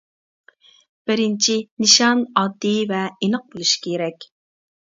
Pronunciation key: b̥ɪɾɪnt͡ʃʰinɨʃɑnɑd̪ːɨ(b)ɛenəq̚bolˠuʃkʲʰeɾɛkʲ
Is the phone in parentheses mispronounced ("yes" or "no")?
yes